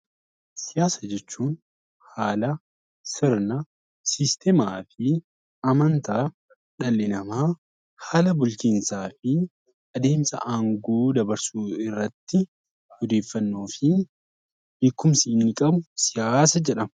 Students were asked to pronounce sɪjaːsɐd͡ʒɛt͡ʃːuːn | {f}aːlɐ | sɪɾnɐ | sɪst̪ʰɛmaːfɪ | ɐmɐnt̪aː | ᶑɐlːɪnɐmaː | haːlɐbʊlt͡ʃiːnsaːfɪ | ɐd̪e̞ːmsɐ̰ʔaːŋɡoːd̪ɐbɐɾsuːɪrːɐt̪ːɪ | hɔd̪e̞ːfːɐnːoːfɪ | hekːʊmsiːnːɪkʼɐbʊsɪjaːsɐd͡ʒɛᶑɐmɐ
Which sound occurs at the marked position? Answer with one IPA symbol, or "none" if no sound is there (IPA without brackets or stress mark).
h